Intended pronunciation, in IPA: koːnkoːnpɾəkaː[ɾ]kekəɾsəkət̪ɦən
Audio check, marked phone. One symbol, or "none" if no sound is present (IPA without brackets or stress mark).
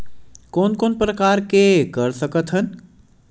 ɾ